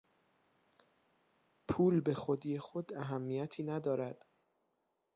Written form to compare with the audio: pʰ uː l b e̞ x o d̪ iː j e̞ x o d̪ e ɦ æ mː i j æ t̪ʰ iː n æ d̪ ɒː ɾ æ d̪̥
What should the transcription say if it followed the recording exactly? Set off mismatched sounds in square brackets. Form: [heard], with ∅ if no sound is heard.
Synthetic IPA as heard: pʰ uː l b e̞ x o d̪ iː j e̞ x o d̪ [æ] ɦ æ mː i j æ t̪ʰ iː n æ d̪ ɒː ɾ æ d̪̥